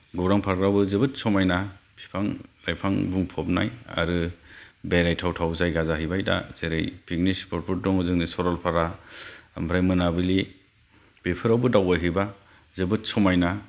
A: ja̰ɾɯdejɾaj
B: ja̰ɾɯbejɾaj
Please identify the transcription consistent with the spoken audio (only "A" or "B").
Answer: B